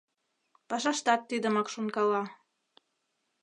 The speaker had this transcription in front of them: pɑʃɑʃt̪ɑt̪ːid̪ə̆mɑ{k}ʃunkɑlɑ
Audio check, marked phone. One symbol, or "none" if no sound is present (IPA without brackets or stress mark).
k